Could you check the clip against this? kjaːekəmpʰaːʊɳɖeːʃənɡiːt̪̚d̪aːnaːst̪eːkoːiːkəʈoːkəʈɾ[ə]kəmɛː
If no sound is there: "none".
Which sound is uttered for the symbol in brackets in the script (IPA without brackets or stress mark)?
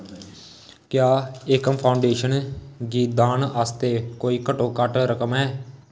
ə